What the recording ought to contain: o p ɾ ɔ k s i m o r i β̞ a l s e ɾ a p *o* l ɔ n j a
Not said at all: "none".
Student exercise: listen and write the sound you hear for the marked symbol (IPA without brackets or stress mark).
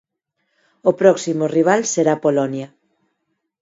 o